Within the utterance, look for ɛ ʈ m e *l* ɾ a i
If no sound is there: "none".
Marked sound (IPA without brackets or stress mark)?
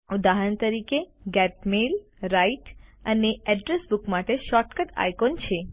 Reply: l